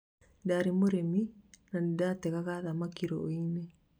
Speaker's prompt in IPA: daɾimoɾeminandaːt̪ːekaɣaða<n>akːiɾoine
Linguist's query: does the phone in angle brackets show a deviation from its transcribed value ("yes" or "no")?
yes